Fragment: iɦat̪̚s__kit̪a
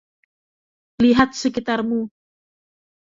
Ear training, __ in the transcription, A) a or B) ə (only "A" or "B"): B